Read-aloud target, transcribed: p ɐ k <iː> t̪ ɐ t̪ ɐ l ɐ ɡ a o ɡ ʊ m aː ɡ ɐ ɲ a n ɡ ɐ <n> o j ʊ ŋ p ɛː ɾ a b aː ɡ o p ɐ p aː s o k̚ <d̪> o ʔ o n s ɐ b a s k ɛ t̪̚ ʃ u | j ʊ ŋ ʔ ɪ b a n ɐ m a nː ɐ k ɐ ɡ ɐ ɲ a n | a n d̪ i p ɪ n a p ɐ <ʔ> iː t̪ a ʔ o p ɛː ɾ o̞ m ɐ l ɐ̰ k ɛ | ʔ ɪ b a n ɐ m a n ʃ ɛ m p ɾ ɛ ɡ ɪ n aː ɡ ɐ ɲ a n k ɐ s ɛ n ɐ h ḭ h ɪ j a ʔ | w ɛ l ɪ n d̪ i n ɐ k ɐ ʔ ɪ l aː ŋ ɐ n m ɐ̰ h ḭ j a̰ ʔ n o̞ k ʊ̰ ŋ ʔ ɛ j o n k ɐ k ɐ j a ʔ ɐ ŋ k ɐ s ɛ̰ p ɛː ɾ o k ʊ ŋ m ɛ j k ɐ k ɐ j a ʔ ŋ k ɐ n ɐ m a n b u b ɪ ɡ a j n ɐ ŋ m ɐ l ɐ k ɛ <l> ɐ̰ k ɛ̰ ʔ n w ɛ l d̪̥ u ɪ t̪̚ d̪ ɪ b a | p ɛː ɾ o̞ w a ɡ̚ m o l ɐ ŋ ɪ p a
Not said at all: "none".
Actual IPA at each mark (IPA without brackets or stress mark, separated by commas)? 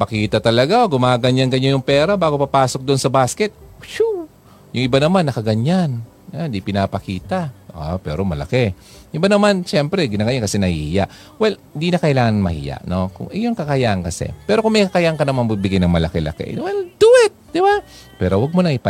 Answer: iː, ɲ, d̪, k, l